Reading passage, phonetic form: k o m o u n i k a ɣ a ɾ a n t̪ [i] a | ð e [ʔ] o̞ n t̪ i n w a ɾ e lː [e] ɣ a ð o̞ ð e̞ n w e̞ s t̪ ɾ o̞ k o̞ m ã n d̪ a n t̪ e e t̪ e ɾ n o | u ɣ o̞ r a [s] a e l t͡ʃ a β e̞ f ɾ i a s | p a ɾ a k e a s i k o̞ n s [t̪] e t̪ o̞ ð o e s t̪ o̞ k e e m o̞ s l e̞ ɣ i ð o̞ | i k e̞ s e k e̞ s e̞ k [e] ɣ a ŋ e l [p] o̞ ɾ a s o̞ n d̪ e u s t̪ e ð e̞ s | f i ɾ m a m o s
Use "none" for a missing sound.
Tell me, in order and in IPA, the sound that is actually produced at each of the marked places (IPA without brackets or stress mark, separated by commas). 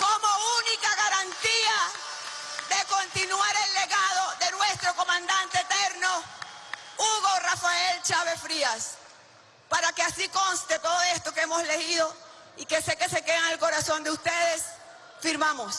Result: i, k, e, f, t̪, e, k